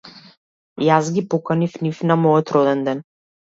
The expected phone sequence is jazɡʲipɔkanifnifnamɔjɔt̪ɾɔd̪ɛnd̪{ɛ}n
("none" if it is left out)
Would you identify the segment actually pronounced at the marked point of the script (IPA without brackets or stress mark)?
ɛ